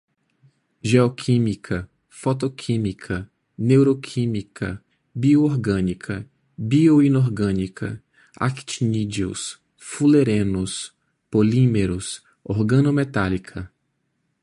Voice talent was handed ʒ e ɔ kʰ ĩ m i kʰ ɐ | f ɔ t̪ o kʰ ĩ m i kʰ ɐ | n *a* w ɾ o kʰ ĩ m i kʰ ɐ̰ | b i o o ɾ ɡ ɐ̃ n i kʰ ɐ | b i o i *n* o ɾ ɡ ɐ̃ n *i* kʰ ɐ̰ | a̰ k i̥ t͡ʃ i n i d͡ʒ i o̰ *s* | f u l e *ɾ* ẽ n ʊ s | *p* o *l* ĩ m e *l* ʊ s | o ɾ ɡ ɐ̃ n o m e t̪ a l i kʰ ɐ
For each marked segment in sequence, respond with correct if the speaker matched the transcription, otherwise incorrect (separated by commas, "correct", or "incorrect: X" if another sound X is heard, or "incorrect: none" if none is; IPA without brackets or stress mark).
incorrect: e, correct, correct, correct, correct, correct, correct, incorrect: ɾ